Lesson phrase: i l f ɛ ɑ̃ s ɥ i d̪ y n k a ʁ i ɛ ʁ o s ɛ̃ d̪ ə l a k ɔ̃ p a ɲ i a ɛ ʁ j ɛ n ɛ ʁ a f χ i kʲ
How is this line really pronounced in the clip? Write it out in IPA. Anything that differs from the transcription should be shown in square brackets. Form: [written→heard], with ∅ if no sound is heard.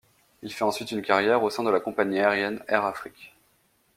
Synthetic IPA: i l f ɛ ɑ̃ s ɥ i [d̪→t̪] y n k a ʁ [i→j] ɛ ʁ o s ɛ̃ d̪ ə l a k ɔ̃ p a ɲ i a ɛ ʁ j ɛ n ɛ ʁ a f χ i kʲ